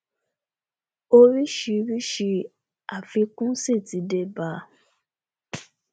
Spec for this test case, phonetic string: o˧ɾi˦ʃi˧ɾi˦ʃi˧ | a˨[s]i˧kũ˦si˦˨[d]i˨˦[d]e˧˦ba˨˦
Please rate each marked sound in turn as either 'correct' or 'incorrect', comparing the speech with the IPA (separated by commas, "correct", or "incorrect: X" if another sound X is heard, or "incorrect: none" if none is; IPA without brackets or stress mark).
incorrect: f, incorrect: t, correct